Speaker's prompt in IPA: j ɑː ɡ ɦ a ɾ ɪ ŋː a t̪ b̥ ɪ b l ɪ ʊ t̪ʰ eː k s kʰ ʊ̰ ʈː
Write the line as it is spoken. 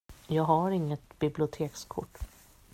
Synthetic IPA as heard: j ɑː ɡ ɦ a ɾ ɪ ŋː ə t̪ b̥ ɪ b l ɪ ʊ t̪ʰ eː k s kʰ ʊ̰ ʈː

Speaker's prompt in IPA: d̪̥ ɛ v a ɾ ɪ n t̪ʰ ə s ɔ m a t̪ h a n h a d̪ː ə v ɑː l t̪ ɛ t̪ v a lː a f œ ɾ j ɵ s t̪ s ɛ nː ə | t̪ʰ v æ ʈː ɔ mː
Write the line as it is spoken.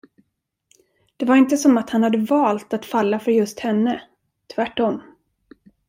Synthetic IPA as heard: d̪̥ ɛ v a ɾ ɪ n t̪ ə s ɔ m a t̪ h a n h a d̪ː ə v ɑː l t̪ a t̪ f a lː a f œ ɾ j ɵ s t̪ h ɛ nː ə | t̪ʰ v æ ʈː ɔ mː

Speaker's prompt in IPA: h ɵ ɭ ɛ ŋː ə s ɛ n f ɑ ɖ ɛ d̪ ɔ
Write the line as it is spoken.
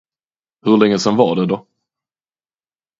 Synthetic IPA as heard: h ɵ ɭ ɛ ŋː ə s ɛ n v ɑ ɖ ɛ d̪ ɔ

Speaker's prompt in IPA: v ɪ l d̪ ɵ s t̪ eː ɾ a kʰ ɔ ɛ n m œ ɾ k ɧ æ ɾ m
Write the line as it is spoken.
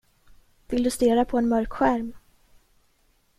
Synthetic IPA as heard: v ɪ l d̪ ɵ s t̪ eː ɾ a pʰ ɔ ɛ n m œ ɾ k ɧ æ ɾ m

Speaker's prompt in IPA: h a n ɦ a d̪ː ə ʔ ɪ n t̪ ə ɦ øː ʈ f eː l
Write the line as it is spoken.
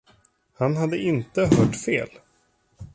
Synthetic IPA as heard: h a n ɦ a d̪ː ə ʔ ɪ n t̪ ə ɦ œː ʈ f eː l

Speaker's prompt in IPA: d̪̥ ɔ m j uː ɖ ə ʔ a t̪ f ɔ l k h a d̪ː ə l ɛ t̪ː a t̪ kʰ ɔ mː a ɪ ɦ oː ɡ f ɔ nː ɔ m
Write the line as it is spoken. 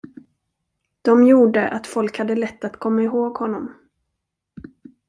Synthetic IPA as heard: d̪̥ ɔ m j uː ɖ ə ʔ a t̪ f ɔ l k h a d̪ː ə l ɛ t̪ː a t̪ kʰ ɔ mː a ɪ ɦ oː ɡ h ɔ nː ɔ m

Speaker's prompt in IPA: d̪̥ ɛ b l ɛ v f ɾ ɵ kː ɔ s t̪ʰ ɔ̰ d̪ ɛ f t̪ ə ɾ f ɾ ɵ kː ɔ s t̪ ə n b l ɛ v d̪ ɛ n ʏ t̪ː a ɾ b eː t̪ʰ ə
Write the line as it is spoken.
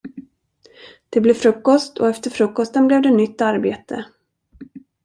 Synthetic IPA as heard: d̪̥ ɛ b l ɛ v f ɾ ɵ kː ɔ s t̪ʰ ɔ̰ ɛ f t̪ ə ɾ f ɾ ɵ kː ɔ s t̪ ə n b l ɛ v d̪ ɛ n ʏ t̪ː a ɾ b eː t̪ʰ ə

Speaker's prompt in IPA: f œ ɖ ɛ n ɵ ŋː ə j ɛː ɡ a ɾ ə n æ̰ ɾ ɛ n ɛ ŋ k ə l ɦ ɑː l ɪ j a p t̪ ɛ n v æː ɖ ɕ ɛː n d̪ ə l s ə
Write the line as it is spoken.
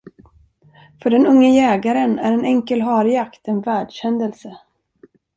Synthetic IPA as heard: f œ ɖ ɛ n ɵ ŋː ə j ɛː ɡ a ɾ ə n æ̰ ɾ ɛ n ɛ ŋ k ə l ɦ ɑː ɾ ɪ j a k t̪ ɛ n v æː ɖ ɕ ɛ n d̪ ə l s ə

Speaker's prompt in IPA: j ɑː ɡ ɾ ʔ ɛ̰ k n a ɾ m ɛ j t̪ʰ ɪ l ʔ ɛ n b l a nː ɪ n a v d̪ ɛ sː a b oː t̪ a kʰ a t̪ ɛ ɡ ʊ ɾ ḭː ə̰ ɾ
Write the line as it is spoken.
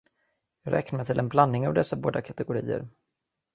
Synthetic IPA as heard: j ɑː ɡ ɾ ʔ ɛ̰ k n a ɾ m ɛ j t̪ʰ ɪ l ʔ ɛ n b l a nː ɪ ŋ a v d̪ ɛ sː a b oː d̪ a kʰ a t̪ ɛ ɡ ʊ ɾ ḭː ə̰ ɾ

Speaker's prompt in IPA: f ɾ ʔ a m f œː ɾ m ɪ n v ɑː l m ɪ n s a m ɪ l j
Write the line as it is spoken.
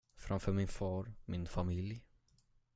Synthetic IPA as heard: f ɾ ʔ a m f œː ɾ m ɪ n f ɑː ɾ m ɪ n f a m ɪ l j

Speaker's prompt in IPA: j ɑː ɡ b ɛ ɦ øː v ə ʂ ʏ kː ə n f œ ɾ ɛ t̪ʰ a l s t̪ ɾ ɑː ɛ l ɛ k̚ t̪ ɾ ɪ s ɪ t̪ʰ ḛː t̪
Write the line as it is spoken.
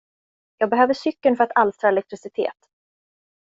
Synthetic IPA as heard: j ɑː ɡ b ɛ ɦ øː v ə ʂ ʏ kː ə n f œ ɾ a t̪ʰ a l s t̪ ɾ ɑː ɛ l ɛ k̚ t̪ ɾ ɪ s ɪ t̪ʰ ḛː t̪

